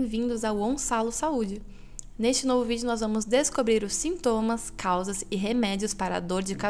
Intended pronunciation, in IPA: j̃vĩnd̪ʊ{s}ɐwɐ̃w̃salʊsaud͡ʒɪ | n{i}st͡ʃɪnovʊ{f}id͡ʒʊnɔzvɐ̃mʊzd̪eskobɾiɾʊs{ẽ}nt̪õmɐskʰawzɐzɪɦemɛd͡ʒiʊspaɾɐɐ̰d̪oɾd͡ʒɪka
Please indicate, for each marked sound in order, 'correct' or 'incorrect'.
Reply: incorrect: z, incorrect: e, incorrect: v, incorrect: ĩ

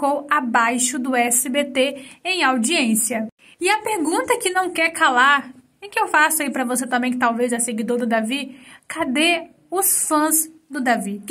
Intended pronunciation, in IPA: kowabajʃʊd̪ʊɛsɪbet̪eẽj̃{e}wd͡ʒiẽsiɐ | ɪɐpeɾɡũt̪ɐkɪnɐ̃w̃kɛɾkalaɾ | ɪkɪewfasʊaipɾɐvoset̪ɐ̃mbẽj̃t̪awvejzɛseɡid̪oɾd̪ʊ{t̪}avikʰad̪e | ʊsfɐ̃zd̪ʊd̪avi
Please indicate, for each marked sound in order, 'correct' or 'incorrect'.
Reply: incorrect: a, incorrect: d̪

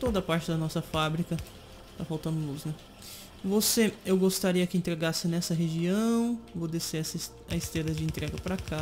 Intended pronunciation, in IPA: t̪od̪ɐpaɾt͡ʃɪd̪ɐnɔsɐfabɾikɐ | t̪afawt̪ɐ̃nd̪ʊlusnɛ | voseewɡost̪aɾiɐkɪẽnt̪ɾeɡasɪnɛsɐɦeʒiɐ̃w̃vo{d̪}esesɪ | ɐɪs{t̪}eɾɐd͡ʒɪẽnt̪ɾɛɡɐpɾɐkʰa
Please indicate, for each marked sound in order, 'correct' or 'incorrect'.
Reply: correct, correct

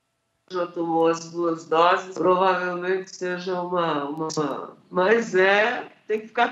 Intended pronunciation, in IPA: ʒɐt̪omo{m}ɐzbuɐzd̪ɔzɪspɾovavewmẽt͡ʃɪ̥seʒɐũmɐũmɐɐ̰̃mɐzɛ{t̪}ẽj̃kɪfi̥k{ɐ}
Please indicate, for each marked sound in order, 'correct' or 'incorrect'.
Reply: incorrect: none, correct, incorrect: a

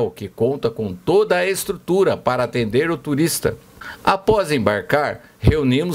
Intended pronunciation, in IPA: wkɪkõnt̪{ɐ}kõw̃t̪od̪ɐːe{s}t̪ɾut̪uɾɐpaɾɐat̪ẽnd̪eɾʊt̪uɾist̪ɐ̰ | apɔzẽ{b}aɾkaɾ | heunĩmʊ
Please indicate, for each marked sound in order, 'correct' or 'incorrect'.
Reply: correct, correct, correct

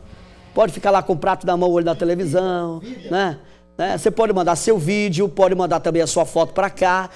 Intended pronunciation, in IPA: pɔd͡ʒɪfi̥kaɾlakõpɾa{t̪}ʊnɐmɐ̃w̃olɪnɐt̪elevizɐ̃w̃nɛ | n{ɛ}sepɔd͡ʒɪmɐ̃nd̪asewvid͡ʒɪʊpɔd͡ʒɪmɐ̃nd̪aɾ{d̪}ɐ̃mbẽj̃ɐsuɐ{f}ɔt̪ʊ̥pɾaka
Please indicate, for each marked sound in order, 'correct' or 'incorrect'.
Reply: correct, correct, incorrect: t̪, correct

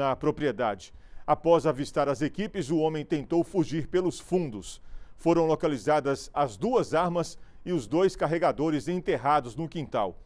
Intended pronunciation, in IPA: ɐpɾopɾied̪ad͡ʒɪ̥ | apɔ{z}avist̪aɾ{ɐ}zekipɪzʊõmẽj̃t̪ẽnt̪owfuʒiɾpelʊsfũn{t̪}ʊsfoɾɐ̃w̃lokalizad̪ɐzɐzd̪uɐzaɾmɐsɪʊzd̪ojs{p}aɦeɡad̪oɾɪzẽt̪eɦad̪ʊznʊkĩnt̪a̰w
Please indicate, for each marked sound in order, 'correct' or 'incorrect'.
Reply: correct, correct, incorrect: d̪, incorrect: k

